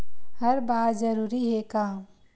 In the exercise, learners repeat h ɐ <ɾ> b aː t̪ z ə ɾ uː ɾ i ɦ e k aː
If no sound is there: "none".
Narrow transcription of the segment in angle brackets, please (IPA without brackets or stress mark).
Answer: ɾ